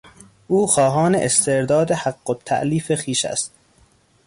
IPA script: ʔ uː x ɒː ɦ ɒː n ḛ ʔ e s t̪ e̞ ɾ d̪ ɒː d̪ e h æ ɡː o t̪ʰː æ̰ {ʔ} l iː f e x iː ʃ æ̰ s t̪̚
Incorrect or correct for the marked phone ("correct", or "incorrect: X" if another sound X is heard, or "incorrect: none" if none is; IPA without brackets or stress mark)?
correct